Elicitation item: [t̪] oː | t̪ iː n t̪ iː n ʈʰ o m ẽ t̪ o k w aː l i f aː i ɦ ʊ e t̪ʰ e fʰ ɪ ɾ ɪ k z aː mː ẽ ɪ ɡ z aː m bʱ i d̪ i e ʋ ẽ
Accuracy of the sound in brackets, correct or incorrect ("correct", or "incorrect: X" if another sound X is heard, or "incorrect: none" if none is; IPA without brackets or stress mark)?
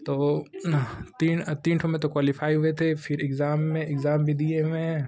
correct